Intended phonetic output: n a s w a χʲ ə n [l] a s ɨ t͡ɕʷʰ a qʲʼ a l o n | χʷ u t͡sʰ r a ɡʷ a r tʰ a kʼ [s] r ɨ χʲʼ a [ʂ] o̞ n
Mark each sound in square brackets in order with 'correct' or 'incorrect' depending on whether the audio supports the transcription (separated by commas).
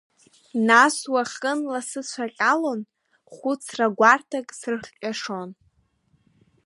correct, correct, correct